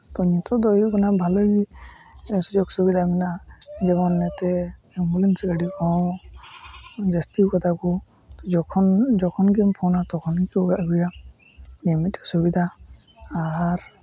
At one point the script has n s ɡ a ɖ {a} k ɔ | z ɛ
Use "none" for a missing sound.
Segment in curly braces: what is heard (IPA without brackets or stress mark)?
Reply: i